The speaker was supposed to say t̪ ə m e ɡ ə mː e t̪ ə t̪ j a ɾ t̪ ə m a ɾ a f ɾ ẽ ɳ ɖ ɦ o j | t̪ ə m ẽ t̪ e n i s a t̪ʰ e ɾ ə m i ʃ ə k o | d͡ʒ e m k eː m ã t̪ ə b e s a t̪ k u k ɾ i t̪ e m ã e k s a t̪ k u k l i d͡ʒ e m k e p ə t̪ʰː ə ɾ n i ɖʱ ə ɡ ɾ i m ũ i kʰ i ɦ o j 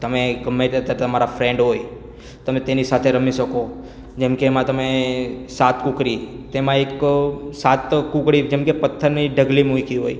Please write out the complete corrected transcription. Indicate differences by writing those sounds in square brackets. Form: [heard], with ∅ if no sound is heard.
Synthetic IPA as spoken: t̪ ə m e ɡ ə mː e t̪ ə t̪ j a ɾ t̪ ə m a ɾ a f ɾ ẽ ɳ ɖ ɦ o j | t̪ ə m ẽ t̪ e n i s a t̪ʰ e ɾ ə m i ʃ ə k o | d͡ʒ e m k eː m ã t̪ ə [m] e s a t̪ k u k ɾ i t̪ e m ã e k s a t̪ k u k [ɽ] i d͡ʒ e m k e p ə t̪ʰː ə ɾ n i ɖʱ ə ɡ [l] i m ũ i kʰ i ɦ o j